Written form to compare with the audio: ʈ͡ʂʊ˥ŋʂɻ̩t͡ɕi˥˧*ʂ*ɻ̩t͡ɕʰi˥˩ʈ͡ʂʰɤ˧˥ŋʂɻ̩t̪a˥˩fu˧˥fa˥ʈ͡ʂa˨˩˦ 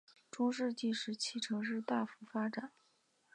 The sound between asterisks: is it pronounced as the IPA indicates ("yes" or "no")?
yes